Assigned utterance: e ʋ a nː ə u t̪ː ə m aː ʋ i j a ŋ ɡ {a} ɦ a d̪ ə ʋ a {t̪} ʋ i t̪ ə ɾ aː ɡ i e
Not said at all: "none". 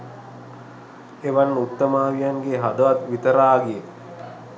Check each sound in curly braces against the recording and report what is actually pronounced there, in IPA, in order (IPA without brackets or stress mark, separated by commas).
e, t̪